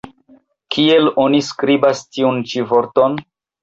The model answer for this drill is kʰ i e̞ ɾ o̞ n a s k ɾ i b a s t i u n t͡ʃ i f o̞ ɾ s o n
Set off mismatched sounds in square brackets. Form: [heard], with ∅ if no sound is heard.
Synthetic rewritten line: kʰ i e̞ [l] o̞ n [i] s k ɾ i b a s t i u n t͡ʃ i [v] o̞ ɾ [t] o n